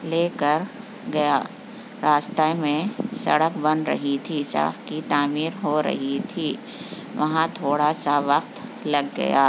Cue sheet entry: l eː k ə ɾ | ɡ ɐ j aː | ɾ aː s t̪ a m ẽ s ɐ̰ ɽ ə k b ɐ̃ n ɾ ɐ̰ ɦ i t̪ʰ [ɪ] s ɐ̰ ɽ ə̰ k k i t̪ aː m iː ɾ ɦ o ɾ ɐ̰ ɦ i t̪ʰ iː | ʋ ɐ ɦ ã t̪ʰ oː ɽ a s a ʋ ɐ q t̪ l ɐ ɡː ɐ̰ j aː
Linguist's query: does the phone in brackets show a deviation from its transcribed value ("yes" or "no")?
yes